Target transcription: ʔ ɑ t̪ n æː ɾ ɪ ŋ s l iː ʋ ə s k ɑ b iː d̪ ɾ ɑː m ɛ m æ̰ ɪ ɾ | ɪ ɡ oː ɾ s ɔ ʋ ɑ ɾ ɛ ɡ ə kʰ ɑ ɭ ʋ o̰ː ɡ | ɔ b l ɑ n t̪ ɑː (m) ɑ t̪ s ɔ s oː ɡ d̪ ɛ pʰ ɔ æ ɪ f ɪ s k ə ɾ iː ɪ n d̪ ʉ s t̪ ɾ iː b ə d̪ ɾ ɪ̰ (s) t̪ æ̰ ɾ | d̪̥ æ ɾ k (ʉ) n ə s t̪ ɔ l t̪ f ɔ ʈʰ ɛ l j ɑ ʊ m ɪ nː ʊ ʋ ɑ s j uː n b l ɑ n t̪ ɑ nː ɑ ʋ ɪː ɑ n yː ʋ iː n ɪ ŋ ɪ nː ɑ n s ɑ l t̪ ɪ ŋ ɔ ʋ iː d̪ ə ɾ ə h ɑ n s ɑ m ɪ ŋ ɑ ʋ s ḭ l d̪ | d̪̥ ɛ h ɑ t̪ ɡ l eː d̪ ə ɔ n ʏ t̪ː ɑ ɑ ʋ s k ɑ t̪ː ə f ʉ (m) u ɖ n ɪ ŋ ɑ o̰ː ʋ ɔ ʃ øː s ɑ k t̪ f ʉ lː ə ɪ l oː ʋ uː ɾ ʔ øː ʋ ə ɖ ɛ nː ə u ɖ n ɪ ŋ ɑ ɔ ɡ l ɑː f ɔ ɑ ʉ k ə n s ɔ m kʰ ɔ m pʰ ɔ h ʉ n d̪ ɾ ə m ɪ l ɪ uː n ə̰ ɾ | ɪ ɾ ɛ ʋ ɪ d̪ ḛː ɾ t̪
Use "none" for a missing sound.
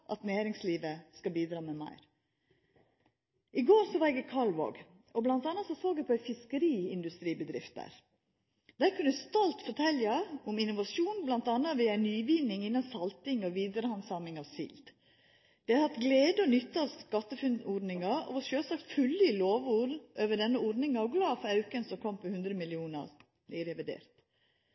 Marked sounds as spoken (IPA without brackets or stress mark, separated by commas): n, f, ʉ, n